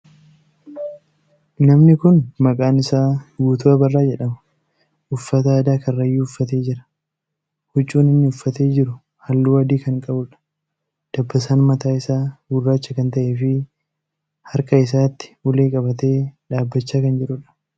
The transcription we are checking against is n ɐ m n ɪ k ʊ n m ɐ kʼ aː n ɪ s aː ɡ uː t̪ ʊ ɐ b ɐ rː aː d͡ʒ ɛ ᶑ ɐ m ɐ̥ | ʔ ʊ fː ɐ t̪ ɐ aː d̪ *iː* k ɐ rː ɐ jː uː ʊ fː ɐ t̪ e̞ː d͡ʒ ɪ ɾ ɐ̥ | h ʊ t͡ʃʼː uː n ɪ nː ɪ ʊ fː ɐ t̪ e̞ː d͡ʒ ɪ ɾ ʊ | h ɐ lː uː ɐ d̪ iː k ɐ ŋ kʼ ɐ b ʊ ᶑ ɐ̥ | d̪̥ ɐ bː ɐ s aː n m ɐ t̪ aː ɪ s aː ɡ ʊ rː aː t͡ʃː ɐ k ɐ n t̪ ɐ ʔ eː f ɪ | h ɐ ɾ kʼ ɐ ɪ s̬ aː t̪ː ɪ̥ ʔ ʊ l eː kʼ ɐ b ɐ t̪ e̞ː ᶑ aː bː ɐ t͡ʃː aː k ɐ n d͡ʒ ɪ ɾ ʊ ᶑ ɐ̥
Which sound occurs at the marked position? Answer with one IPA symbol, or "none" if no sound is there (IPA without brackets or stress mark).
aː